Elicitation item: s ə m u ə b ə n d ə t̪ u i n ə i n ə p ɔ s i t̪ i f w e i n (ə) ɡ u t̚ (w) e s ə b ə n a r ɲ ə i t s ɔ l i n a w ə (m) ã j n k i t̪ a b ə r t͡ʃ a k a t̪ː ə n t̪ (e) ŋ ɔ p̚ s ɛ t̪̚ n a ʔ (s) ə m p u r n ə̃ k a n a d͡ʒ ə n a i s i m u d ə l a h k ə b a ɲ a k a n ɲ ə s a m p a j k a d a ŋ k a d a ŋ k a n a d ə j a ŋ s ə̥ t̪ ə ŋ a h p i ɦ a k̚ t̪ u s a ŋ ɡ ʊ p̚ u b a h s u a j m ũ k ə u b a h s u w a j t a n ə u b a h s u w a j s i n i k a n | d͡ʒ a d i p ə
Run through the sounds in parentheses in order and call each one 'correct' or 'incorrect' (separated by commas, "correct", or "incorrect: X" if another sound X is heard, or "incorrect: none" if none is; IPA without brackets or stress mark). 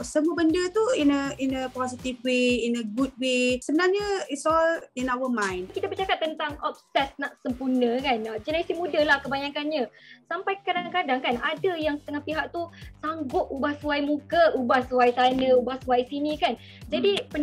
correct, correct, correct, incorrect: a, correct